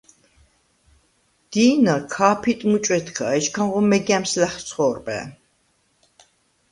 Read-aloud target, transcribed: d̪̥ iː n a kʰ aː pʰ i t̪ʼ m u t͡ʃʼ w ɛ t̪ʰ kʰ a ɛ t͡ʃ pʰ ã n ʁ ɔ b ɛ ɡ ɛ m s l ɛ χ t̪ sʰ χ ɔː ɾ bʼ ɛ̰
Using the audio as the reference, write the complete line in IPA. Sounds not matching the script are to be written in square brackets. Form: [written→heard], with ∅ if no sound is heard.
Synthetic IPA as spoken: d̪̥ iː n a kʰ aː pʰ i t̪ʼ m u t͡ʃʼ w ɛ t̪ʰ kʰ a ɛ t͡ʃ [pʰ→kʰ] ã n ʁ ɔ [b→m] ɛ ɡ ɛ m s l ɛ χ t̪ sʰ χ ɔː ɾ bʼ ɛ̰